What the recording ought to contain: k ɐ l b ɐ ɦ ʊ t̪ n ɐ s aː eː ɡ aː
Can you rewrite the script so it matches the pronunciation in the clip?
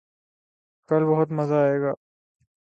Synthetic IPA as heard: k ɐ l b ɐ ɦ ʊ t̪ m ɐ z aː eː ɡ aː